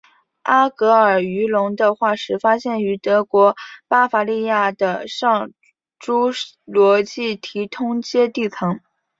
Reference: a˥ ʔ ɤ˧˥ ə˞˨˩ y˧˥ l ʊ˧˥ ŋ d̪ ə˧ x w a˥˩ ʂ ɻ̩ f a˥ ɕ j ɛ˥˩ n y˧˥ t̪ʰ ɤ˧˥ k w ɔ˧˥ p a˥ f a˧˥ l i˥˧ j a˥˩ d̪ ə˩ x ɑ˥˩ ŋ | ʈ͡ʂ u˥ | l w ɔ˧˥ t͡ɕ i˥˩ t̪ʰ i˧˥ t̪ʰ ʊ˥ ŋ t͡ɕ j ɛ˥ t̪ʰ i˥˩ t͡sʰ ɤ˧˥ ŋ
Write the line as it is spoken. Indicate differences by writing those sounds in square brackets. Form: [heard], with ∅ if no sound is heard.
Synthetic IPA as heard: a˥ [k] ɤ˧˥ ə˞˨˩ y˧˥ l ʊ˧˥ ŋ d̪ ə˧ x w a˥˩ ʂ ɻ̩ f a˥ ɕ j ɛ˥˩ n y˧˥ [t̪] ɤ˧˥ k w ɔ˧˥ p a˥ f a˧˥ l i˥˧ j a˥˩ d̪ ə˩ [ʂ] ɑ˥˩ ŋ | ʈ͡ʂ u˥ | l w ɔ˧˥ t͡ɕ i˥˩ t̪ʰ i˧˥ t̪ʰ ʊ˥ ŋ t͡ɕ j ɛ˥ [t̪] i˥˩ t͡sʰ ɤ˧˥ ŋ